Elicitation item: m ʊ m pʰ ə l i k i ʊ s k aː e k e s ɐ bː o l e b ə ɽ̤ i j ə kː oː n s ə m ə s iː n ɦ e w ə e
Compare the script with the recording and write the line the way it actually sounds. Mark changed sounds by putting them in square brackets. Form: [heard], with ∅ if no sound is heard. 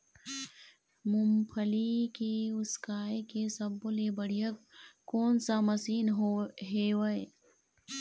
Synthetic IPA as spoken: m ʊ m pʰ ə l i k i ʊ s k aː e k e s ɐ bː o l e b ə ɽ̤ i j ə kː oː n s [a] m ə s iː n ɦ e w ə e

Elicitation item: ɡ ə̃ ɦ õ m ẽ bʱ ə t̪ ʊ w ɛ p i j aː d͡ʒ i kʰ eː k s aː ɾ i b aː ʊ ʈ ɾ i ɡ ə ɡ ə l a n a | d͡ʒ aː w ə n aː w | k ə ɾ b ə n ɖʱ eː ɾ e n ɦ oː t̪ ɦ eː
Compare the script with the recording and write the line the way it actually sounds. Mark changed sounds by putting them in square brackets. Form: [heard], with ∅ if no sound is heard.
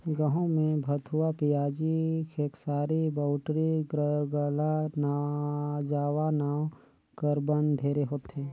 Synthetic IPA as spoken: ɡ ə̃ ɦ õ m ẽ bʱ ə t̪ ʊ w [a] p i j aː d͡ʒ i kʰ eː k s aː ɾ i b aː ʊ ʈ ɾ i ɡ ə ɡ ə l a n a | d͡ʒ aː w [a] n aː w | k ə ɾ b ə n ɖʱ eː ɾ e [∅] ɦ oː t̪ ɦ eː

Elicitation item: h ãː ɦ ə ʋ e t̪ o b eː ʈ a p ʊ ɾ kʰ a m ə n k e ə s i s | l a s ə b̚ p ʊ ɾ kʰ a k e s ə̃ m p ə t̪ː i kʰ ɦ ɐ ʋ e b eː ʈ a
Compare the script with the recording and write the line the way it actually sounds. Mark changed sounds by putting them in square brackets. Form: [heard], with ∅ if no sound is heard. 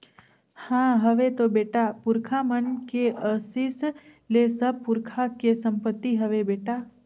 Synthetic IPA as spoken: h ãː ɦ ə ʋ e t̪ o b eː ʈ a p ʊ ɾ kʰ a m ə n k e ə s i s | l [e] s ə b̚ p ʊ ɾ kʰ a k e s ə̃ m p ə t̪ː i [∅] ɦ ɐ ʋ e b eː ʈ a

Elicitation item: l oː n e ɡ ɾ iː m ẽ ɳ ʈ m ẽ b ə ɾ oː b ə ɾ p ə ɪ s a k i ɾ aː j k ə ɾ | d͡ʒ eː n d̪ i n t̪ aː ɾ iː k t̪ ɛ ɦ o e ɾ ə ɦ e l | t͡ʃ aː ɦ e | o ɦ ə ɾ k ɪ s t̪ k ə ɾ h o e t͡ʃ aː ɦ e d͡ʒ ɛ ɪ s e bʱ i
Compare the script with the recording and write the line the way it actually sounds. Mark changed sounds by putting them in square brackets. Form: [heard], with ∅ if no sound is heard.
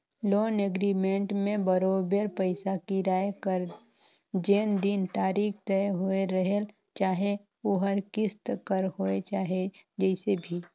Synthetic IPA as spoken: l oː n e ɡ ɾ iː m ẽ ɳ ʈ m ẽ b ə ɾ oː b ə ɾ p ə ɪ s a k i ɾ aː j k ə ɾ | d͡ʒ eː n d̪ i n t̪ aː ɾ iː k t̪ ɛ ɦ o e ɾ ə ɦ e l | t͡ʃ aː ɦ e | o ɦ ə ɾ k ɪ s t̪ k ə ɾ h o e t͡ʃ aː ɦ e d͡ʒ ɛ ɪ s e bʱ i

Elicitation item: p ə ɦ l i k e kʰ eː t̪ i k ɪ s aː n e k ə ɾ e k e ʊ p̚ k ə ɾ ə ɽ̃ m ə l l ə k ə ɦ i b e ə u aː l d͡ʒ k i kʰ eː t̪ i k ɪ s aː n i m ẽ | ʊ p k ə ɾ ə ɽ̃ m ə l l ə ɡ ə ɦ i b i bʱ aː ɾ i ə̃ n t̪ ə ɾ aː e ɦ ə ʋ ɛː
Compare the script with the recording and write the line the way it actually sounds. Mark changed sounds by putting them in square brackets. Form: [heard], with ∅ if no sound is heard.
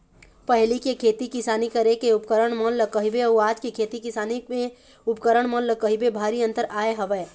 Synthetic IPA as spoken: p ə ɦ l i k e kʰ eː t̪ i k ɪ s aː n [i] k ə ɾ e k e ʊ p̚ k ə ɾ ə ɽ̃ m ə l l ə k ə ɦ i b e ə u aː [∅] d͡ʒ k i kʰ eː t̪ i k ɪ s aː n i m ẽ | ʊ p k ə ɾ ə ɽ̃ m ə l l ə [k] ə ɦ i b [e] bʱ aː ɾ i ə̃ n t̪ ə ɾ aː e ɦ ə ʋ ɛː

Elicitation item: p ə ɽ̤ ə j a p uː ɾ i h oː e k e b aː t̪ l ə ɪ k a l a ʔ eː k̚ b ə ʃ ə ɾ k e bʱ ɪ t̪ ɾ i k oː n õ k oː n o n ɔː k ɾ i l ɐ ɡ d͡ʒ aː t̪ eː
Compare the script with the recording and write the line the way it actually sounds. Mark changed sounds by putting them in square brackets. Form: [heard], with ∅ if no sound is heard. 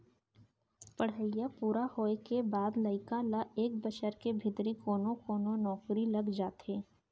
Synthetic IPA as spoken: p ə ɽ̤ ə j a p uː ɾ [a] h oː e k e b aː [d̪] l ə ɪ k a l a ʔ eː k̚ b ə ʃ ə ɾ k e bʱ ɪ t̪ ɾ i k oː n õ k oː n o n ɔː k ɾ i l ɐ ɡ d͡ʒ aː t̪ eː

